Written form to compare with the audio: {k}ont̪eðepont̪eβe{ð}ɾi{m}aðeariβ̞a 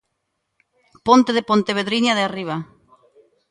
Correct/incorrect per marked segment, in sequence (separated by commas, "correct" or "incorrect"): incorrect, correct, incorrect